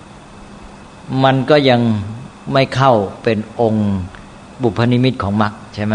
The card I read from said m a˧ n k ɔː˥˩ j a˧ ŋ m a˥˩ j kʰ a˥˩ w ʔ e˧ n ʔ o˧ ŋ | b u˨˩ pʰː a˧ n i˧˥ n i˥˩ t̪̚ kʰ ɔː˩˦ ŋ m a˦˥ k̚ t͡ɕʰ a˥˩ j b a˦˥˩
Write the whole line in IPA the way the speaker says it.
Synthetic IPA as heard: m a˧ n k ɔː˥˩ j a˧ ŋ m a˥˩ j kʰ a˥˩ w p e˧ n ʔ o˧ ŋ | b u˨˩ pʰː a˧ n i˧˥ m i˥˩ t̪̚ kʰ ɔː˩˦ ŋ m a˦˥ k̚ t͡ɕʰ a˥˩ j m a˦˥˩